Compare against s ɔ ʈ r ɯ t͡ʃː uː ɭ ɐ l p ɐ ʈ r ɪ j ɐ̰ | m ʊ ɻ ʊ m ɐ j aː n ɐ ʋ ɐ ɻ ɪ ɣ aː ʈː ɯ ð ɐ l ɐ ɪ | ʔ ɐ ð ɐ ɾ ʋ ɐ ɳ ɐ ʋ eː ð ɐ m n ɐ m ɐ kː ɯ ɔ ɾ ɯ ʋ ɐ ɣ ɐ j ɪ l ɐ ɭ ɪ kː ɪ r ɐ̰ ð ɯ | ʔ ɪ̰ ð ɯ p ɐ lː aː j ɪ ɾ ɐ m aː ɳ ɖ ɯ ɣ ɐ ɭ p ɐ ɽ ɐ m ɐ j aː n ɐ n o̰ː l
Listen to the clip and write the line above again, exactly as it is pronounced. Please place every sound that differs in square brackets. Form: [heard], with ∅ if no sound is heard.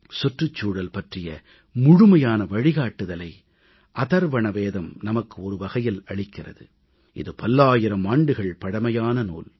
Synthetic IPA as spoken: s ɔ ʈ r ɯ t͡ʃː uː [ɽ] ɐ l p ɐ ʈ r ɪ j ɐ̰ | m ʊ ɻ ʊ m ɐ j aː n ɐ ʋ ɐ ɻ ɪ ɣ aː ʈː ɯ ð ɐ l ɐ ɪ | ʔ ɐ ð ɐ ɾ ʋ ɐ ɳ ɐ ʋ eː ð ɐ m n ɐ m ɐ kː ɯ ɔ ɾ ɯ ʋ ɐ ɣ ɐ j ɪ l ɐ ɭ ɪ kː ɪ r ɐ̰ ð ɯ | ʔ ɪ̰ ð ɯ p ɐ lː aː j ɪ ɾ ɐ m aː ɳ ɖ ɯ ɣ ɐ ɭ p ɐ ɽ ɐ m ɐ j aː n ɐ n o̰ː l